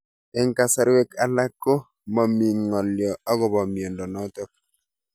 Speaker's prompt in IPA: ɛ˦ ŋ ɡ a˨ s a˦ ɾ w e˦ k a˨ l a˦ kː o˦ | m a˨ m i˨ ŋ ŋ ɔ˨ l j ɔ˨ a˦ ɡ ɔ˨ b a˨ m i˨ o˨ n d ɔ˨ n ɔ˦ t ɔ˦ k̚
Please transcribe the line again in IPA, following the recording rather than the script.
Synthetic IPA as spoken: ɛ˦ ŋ k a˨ s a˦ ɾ w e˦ k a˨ l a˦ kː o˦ | m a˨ m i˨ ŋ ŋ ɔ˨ l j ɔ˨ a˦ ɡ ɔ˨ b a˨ m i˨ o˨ n d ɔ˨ n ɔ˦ t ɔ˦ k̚